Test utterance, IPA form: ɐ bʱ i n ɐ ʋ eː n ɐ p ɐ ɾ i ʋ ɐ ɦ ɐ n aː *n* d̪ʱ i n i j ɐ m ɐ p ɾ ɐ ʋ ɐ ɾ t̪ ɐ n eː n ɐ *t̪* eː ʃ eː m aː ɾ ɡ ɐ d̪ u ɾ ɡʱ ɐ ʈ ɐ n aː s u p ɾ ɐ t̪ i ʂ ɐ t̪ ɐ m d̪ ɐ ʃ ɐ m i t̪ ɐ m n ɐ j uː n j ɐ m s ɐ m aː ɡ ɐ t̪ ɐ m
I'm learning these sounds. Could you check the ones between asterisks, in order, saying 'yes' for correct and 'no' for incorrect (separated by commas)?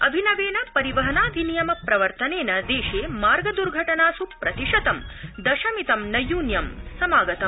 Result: no, no